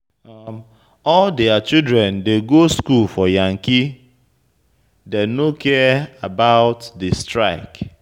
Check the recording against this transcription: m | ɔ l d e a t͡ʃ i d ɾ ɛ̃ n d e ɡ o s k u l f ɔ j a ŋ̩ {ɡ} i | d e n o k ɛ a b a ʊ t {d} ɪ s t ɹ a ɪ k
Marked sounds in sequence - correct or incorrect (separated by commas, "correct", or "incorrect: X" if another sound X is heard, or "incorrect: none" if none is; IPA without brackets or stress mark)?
incorrect: k, correct